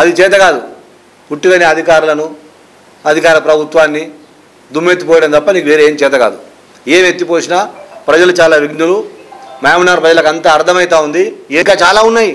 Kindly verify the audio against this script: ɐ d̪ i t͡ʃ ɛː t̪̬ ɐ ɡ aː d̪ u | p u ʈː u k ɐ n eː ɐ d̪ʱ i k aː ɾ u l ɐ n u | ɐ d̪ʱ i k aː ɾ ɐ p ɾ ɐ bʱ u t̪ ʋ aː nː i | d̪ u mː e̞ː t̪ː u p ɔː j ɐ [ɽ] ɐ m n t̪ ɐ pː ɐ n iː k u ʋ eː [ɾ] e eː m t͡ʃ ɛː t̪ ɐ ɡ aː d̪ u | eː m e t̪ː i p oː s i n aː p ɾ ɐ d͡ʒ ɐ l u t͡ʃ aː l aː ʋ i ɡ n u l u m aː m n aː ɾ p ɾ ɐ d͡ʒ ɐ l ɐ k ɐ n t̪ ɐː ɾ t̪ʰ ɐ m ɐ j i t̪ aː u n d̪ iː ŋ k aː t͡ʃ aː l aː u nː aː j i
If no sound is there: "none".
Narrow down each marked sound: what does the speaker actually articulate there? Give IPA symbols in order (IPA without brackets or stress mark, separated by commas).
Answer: ɽ, ɾ